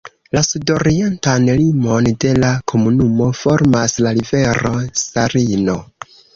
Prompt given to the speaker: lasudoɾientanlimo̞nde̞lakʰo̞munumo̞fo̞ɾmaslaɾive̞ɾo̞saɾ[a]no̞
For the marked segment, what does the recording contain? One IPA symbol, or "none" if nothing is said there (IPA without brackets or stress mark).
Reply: i